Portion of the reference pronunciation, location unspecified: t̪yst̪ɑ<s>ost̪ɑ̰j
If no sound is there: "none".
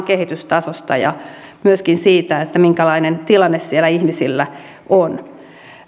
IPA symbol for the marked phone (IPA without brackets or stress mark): s